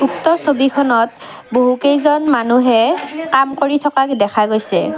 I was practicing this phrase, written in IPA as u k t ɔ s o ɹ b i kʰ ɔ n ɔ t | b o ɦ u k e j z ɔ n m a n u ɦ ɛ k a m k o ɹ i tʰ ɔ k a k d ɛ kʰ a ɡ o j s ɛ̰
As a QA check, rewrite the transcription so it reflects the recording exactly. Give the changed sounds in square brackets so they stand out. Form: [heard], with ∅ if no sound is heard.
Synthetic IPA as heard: u k t ɔ s o [∅] b i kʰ ɔ n ɔ t | b o ɦ u k e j z ɔ n m a n u ɦ ɛ k a m k o ɹ i tʰ ɔ k a k d ɛ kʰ a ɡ o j s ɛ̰